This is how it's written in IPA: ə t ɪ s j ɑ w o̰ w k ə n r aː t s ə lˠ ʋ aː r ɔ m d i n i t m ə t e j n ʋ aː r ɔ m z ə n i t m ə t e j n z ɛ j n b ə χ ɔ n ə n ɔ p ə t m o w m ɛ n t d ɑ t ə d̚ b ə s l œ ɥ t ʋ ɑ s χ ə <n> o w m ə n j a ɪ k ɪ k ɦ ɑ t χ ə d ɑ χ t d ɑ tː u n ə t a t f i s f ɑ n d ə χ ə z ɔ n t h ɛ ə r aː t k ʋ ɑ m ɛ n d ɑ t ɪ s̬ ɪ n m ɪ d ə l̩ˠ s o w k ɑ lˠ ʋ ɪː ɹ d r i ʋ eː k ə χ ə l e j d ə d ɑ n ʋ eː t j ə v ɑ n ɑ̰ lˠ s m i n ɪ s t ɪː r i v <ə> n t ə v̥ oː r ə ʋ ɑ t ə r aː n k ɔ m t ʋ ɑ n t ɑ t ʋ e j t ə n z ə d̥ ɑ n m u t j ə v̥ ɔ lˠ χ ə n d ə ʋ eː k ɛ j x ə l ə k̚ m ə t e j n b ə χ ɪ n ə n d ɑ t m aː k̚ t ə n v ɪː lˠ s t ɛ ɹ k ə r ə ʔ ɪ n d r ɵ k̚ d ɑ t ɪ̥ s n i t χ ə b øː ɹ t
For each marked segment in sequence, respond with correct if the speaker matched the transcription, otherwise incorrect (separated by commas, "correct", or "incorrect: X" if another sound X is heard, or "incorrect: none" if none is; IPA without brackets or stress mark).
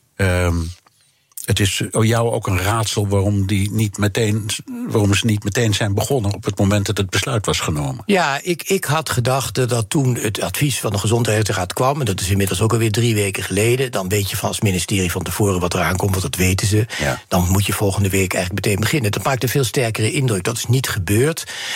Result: correct, incorrect: ɑ